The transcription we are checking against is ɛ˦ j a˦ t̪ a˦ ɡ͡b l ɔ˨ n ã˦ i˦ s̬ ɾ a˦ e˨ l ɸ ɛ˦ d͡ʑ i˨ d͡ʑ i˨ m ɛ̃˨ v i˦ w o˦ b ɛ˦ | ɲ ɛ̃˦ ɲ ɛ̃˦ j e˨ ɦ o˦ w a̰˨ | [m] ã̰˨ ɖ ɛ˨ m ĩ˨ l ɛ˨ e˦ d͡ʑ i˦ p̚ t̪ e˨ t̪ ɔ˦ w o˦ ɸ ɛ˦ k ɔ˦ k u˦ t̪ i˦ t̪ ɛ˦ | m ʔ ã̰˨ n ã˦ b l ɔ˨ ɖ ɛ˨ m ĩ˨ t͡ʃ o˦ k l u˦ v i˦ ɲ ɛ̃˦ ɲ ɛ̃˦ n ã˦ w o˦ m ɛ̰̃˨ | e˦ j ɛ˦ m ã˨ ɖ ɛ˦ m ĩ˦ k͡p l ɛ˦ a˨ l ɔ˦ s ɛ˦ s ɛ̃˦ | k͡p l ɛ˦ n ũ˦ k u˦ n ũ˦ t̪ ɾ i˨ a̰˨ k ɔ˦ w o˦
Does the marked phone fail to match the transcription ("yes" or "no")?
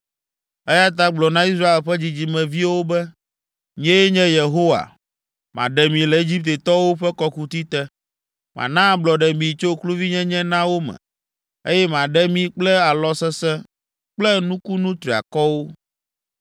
no